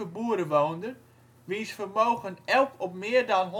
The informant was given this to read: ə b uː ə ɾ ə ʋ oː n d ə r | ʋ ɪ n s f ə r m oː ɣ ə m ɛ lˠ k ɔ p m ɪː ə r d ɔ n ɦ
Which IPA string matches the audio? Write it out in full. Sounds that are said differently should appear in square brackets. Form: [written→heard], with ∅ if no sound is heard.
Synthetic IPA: ə b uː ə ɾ ə ʋ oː n d ə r | ʋ [ɪ→i] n s f ə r m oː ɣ ə [m→n] ɛ lˠ k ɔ p m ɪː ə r d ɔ n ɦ